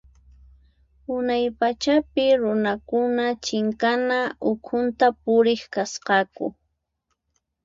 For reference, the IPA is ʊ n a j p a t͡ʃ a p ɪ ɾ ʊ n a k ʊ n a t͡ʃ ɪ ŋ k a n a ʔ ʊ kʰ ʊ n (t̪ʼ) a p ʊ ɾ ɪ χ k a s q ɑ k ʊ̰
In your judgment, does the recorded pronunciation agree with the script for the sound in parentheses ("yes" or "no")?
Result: no